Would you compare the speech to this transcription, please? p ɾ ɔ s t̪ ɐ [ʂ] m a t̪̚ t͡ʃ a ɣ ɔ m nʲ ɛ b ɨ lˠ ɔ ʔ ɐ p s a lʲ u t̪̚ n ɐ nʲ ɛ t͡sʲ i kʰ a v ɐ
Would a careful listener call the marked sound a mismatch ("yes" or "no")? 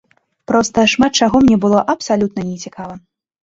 no